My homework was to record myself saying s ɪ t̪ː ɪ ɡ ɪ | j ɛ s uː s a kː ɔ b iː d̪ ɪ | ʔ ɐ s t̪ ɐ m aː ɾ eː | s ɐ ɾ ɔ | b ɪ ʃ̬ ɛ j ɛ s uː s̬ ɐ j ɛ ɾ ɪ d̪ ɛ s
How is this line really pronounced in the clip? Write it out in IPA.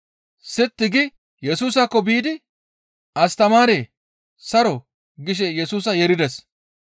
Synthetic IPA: s ɪ t̪ː ɪ ɡ ɪ | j ɛ s uː s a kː ɔ b iː d̪ ɪ | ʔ ɐ s t̪ ɐ m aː ɾ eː | s ɐ ɾ ɔ | ɡ ɪ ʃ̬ ɛ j ɛ s uː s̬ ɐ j ɛ ɾ ɪ d̪ ɛ s